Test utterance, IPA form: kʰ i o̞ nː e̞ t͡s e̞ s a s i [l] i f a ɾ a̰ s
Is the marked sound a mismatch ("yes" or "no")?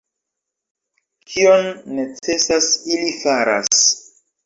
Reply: no